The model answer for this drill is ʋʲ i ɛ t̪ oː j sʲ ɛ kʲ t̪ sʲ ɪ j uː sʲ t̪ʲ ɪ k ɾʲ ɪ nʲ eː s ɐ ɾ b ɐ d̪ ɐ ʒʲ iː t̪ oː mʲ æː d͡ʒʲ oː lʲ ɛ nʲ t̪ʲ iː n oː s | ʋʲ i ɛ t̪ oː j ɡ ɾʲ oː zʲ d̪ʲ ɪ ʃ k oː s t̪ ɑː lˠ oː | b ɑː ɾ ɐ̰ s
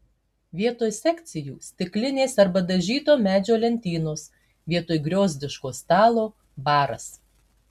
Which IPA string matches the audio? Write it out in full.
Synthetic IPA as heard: ʋʲ i ɛ t̪ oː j sʲ ɛ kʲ t̪ sʲ ɪ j uː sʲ t̪ʲ ɪ k lʲ ɪ nʲ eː s ɐ ɾ b ɐ d̪ ɐ ʒʲ iː t̪ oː mʲ æː d͡ʒʲ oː lʲ ɛ nʲ t̪ʲ iː n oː s | ʋʲ i ɛ t̪ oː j ɡ ɾʲ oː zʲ d̪ʲ ɪ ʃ k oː s t̪ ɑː lˠ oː | b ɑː ɾ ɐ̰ s